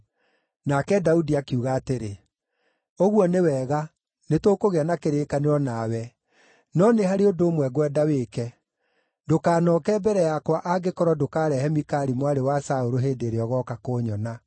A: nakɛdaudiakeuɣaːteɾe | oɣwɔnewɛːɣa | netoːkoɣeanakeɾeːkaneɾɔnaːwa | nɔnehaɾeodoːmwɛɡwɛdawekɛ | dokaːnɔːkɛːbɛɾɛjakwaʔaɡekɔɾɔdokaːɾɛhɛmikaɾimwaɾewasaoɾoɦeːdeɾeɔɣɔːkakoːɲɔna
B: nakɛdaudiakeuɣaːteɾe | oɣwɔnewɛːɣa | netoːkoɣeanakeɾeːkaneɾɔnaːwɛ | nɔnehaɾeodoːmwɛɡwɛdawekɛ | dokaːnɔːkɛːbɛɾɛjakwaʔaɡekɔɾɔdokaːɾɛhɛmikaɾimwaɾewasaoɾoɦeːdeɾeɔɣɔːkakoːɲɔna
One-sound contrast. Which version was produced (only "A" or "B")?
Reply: B